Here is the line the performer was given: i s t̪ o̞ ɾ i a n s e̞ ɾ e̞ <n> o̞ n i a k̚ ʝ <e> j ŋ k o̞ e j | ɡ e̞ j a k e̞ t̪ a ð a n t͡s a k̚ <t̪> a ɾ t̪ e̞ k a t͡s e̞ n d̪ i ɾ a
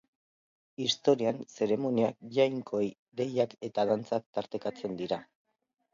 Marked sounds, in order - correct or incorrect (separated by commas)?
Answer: incorrect, incorrect, correct